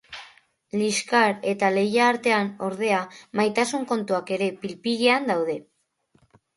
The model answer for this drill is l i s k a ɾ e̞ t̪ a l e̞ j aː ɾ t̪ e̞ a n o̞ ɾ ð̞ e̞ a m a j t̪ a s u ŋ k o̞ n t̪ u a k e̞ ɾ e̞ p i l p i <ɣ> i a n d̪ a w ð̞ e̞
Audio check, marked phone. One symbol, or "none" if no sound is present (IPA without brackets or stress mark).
ɣ